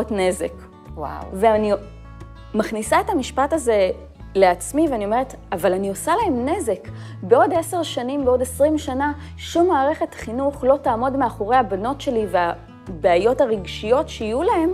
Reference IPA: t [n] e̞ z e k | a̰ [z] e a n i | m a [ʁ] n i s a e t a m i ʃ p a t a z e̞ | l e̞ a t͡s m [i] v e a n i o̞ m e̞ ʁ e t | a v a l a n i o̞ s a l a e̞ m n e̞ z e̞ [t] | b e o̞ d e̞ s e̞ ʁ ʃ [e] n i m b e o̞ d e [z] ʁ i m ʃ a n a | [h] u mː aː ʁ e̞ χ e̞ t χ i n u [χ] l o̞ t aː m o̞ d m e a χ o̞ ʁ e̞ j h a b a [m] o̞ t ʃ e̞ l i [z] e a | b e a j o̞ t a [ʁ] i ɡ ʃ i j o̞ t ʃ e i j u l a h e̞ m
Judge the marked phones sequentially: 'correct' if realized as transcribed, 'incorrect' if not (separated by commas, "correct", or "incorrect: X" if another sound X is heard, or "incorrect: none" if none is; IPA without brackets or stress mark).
correct, incorrect: v, incorrect: χ, correct, incorrect: k, incorrect: a, incorrect: s, incorrect: ʃ, correct, incorrect: n, incorrect: v, correct